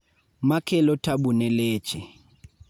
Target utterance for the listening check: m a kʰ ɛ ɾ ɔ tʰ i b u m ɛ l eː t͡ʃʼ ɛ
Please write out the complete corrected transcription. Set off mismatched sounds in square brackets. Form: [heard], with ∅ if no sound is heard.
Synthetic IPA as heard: m a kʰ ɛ [l] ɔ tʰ [a] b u [n] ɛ l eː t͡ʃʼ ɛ